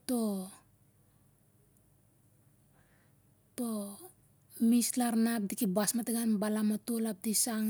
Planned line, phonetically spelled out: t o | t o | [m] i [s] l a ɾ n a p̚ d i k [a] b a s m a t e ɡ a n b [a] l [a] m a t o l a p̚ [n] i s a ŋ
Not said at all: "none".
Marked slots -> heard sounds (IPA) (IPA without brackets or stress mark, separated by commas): m, s, i, a, a, d